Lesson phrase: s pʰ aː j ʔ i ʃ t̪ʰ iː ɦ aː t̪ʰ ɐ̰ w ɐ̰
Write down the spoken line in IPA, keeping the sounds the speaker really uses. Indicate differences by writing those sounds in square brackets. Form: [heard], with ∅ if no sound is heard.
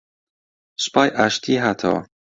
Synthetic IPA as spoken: s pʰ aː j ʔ [a] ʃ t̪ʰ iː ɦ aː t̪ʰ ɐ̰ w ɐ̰